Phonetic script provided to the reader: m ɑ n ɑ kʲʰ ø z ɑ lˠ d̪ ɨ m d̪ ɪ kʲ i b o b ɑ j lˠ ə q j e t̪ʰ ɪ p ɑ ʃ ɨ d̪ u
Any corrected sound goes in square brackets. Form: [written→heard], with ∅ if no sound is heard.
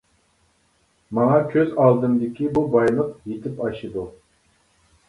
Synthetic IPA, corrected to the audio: m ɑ [n→ŋ] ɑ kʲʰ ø z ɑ lˠ d̪ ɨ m d̪ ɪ kʲ i b [o→u] b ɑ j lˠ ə q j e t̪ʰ ɪ p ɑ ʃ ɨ d̪ u